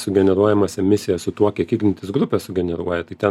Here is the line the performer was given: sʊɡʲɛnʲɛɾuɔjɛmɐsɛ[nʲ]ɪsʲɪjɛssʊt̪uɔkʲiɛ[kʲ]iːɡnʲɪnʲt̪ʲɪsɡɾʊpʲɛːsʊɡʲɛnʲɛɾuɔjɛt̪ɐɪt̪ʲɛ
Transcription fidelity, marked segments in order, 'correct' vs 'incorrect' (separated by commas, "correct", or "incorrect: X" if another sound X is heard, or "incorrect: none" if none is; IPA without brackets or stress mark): incorrect: mʲ, correct